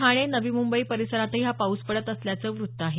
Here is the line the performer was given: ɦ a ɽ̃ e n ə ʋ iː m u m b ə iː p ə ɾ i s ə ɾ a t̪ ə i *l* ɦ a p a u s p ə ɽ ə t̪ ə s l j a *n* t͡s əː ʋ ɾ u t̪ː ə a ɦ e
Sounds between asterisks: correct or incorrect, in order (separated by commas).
incorrect, incorrect